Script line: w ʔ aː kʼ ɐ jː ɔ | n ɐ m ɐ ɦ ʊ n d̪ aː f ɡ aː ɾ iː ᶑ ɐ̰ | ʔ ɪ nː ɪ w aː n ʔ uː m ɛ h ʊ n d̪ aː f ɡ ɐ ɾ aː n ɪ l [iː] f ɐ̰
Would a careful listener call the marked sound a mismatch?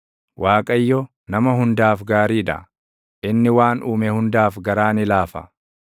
yes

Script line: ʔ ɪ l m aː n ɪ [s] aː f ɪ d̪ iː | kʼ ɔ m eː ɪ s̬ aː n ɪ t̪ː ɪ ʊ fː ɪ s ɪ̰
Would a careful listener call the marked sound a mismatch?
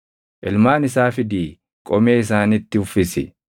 no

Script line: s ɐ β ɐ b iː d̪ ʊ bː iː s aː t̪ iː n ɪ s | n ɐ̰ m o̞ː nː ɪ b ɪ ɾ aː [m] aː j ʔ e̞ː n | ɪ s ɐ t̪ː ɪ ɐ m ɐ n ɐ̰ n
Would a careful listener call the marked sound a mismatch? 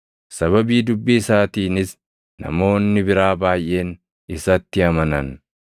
yes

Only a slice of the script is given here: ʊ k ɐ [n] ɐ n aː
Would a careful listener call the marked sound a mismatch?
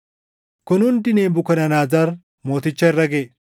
no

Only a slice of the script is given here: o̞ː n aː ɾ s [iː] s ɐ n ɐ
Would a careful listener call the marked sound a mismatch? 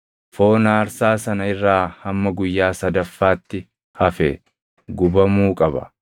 yes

